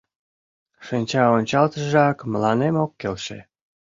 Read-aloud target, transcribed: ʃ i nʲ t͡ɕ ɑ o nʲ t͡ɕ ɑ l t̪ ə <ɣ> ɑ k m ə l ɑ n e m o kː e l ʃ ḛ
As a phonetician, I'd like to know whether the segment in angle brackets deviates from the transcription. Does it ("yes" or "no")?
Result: yes